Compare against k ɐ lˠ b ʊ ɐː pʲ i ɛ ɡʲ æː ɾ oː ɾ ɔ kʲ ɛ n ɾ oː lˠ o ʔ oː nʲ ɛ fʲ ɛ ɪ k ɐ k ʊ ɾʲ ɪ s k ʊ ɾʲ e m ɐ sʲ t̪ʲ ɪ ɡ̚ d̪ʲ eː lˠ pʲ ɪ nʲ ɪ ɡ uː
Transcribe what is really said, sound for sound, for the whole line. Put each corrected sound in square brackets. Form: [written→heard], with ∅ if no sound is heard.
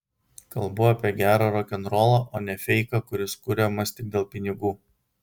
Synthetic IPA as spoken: k ɐ lˠ b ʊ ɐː pʲ i ɛ ɡʲ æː ɾ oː ɾ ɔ kʲ ɛ n ɾ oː lˠ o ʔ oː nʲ ɛ fʲ ɛ ɪ k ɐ k ʊ ɾʲ ɪ s k ʊ ɾʲ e m ɐ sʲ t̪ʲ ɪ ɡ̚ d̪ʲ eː lˠ pʲ ɪ nʲ ɪ ɡ uː